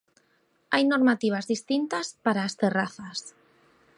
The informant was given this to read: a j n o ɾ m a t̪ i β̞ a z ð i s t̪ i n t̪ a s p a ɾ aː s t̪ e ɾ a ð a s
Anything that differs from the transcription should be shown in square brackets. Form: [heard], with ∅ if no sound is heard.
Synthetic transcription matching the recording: a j n o ɾ m a t̪ i β̞ a z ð i s t̪ i n t̪ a s p a ɾ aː s t̪ e [r] a [θ] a s